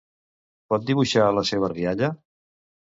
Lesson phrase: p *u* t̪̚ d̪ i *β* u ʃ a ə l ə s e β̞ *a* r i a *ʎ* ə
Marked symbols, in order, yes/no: no, yes, no, yes

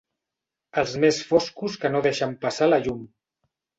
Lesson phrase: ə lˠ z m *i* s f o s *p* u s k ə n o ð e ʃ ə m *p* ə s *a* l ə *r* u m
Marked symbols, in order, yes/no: no, no, yes, yes, no

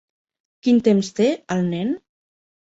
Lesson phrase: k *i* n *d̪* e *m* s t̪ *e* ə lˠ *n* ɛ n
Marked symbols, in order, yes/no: yes, no, yes, yes, yes

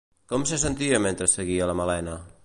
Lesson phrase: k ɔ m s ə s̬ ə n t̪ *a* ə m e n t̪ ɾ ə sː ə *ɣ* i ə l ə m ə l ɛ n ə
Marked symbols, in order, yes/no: no, yes

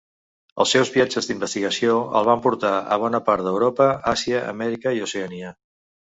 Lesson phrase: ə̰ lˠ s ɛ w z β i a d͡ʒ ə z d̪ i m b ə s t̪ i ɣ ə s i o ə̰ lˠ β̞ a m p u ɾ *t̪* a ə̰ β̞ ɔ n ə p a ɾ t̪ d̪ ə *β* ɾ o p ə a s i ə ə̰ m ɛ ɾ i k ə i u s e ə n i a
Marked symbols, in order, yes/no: yes, no

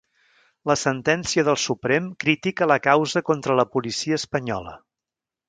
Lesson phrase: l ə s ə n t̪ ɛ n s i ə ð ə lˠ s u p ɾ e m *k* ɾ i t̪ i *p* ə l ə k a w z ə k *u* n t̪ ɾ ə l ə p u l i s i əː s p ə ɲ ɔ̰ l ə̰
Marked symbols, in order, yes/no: yes, no, no

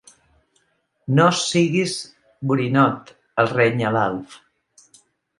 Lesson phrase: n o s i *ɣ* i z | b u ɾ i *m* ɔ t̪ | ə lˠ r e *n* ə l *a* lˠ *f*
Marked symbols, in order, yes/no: yes, no, no, yes, yes

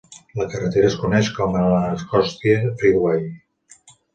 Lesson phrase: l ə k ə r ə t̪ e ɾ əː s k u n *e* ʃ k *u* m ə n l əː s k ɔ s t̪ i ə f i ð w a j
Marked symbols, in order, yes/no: no, no

